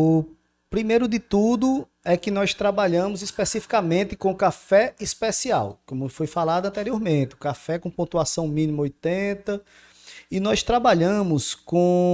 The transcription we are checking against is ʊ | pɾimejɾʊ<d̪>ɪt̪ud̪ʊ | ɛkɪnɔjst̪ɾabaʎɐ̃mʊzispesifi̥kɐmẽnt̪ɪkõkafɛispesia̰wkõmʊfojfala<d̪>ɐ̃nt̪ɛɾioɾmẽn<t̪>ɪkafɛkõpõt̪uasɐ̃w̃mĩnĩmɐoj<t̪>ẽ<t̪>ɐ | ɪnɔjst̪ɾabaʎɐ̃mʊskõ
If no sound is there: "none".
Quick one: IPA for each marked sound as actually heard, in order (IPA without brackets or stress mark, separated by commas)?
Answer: d̪, d̪, t̪, t̪, t̪